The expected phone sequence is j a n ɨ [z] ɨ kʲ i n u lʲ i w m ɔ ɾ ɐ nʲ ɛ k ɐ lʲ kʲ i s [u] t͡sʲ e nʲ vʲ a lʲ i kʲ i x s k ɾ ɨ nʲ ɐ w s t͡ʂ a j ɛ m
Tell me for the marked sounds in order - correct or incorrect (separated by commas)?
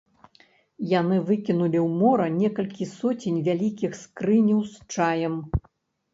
incorrect, incorrect